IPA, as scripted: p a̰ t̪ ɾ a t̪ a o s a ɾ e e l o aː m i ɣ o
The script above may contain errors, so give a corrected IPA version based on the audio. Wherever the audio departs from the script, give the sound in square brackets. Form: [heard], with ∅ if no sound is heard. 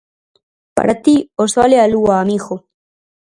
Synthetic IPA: p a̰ [∅] ɾ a t̪ [i] o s a [l] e [a] l [u] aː m i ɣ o